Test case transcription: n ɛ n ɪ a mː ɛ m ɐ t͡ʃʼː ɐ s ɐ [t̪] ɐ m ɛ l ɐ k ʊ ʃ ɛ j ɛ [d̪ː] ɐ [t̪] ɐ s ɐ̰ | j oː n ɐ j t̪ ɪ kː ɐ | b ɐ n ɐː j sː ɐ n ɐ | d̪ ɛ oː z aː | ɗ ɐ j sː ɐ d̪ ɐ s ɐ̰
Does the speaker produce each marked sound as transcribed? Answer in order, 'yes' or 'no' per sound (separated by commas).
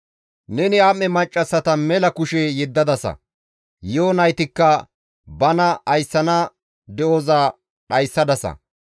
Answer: yes, yes, no